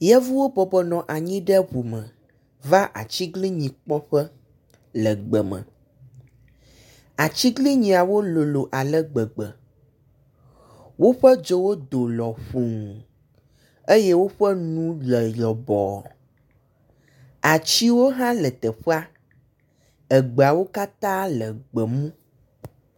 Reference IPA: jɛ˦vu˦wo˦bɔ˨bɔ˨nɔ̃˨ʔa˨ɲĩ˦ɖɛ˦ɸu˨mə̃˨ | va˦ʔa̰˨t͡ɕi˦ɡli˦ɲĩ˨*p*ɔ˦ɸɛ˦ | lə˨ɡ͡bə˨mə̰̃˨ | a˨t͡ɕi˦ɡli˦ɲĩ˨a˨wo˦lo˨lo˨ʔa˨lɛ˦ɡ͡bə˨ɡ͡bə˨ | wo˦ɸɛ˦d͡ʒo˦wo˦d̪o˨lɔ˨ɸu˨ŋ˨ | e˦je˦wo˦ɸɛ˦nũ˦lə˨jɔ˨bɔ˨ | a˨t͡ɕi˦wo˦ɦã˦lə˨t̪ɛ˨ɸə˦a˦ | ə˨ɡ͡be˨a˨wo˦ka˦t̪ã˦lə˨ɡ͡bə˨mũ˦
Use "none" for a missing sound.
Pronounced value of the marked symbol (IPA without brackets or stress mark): k͡p